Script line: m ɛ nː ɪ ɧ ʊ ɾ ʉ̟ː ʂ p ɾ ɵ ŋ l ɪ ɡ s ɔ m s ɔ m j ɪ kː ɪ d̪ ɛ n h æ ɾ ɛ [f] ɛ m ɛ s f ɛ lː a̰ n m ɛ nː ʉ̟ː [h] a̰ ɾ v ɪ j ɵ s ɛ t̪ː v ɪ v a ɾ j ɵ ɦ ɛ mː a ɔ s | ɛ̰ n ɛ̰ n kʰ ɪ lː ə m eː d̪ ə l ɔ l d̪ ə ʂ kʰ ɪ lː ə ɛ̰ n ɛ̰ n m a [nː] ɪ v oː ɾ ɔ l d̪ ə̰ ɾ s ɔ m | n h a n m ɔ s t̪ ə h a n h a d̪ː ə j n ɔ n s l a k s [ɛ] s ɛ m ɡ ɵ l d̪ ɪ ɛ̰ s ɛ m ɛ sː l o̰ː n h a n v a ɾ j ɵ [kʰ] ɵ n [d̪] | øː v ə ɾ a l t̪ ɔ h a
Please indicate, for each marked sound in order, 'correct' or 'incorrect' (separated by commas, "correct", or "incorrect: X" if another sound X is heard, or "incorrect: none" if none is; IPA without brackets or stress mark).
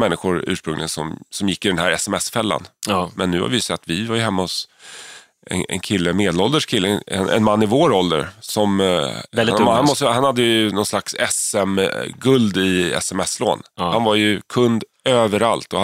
incorrect: s, correct, correct, correct, correct, correct